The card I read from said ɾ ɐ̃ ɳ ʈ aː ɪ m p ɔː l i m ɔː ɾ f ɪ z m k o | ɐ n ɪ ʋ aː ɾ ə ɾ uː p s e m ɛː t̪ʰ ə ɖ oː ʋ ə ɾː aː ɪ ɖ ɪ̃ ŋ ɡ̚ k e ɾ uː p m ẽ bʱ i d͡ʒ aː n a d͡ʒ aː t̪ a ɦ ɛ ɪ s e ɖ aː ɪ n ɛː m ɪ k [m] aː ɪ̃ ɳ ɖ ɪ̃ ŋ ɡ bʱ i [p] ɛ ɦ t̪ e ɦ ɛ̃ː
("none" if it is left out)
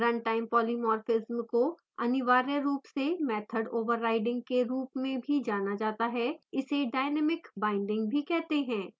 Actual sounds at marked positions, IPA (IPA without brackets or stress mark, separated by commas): b, k